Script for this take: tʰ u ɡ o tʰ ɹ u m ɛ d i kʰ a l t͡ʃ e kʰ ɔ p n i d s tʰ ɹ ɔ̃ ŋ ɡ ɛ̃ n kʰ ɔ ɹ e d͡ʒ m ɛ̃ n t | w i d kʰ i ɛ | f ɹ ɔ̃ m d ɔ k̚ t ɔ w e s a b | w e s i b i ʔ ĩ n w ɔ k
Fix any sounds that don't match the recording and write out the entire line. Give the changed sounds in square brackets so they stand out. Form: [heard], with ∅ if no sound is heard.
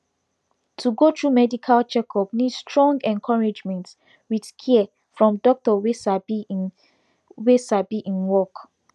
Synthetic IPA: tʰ u ɡ o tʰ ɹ u m ɛ d i kʰ a l t͡ʃ [ɛ] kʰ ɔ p n i d s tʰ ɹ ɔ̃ ŋ ɡ ɛ̃ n kʰ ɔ ɹ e d͡ʒ m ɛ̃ n t | w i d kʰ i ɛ | f ɹ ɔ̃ m d ɔ k̚ t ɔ w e s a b | w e s [a] b i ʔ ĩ n w ɔ k